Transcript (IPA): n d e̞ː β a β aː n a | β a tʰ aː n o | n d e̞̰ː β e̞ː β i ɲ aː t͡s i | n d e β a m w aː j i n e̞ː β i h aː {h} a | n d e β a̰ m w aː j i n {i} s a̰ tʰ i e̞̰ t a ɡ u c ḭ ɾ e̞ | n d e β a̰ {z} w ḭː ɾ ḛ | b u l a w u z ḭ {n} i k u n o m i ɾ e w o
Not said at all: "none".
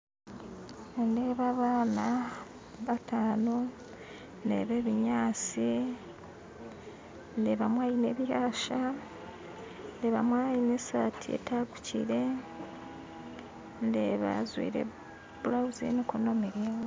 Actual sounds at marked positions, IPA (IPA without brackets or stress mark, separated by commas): ʃ, e, z, n